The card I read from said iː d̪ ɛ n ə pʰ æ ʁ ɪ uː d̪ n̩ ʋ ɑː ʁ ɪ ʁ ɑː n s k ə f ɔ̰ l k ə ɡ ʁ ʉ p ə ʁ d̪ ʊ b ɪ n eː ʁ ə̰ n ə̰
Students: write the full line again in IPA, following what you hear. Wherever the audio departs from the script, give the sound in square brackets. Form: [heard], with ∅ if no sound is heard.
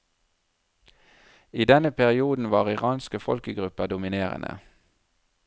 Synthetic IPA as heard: iː d̪ ɛ n ə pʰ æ ʁ ɪ uː d̪ n̩ ʋ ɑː ʁ ɪ ʁ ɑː n s k ə f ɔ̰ l k ə ɡ ʁ ʉ p ə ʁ d̪ ʊ [m] ɪ n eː ʁ ə̰ n ə̰